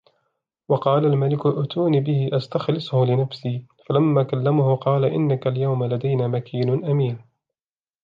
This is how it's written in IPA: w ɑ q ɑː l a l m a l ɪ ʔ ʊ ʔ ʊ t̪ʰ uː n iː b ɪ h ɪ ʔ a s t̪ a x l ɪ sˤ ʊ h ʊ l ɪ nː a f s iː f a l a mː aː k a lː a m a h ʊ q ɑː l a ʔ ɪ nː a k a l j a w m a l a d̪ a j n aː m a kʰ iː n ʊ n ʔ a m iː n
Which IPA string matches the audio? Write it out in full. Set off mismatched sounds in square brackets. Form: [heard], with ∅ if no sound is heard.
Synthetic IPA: w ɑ q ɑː l a l m a l ɪ [k] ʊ ʔ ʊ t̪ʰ uː n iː b ɪ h ɪ ʔ a s t̪ a x l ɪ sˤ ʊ h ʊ l ɪ [n] a f s iː f a l a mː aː k a lː a m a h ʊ q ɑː l a ʔ ɪ nː a k a l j a w m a l a d̪ a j n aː m a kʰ iː n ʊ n ʔ a m iː n